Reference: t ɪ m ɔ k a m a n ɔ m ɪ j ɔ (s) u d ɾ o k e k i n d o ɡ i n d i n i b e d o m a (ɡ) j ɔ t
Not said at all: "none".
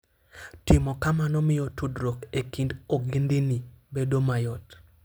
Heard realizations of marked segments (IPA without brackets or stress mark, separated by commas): t, none